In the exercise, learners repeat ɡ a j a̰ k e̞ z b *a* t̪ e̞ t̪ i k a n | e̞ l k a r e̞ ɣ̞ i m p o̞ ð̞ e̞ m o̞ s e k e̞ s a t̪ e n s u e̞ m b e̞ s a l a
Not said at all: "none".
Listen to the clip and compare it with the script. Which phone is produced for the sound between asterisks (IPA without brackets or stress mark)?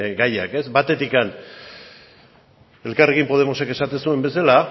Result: a